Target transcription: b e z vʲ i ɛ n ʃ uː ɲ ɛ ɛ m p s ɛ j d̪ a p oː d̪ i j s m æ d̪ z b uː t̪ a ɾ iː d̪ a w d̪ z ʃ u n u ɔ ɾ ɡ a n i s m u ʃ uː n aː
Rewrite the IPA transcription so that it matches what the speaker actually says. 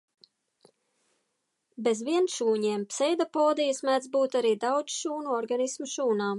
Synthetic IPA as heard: b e z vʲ i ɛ n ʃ uː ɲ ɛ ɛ m p s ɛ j d̪ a p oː d̪ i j s m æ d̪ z b uː t̪ a ɾ iː d̪ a w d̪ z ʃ uː n u ɔ ɾ ɡ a n i s m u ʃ uː n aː